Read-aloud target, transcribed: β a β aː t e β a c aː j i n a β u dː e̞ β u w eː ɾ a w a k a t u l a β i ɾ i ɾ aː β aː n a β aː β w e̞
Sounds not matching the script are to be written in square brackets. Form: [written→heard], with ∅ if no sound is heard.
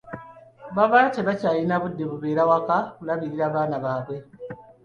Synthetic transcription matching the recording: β a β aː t e β a c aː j i n a β u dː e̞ β u [w→β] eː ɾ a w a k a [t→k] u l a β i ɾ i ɾ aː β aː n a β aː β w e̞